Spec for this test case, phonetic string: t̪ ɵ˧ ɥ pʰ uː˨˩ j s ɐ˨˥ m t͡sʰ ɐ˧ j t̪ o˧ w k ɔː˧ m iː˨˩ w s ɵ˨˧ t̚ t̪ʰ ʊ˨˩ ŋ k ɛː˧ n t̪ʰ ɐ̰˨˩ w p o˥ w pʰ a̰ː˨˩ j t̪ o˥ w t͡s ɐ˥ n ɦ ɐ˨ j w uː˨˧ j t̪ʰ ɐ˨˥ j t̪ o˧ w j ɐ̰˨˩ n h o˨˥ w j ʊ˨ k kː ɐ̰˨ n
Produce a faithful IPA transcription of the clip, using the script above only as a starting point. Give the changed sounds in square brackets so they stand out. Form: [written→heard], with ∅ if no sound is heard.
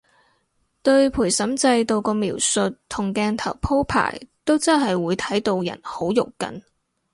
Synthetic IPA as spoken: t̪ ɵ˧ ɥ pʰ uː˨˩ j s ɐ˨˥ m [t͡sʰ→t͡s] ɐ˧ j t̪ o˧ w k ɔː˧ m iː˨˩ w s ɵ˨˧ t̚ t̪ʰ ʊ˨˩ ŋ k ɛː˧ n t̪ʰ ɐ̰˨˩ w [p→pʰ] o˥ w pʰ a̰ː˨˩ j t̪ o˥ w t͡s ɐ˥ n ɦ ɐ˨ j w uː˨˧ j t̪ʰ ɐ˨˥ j t̪ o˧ w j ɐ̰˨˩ n h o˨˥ w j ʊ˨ k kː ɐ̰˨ n